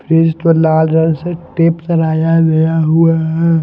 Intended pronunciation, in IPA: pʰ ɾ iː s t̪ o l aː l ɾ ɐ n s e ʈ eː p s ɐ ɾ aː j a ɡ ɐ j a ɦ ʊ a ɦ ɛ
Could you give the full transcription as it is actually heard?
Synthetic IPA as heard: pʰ ɾ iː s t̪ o l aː l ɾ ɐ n s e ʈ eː p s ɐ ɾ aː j a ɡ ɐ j a ɦ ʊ a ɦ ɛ